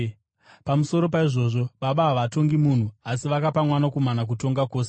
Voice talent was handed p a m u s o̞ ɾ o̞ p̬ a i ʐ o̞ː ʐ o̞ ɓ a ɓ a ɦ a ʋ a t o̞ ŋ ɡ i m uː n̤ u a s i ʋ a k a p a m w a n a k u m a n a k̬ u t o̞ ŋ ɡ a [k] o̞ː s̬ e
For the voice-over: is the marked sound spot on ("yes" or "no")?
yes